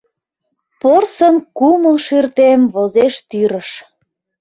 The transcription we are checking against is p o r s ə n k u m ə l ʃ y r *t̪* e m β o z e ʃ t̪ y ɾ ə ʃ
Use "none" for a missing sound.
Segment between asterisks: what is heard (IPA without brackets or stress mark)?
t̪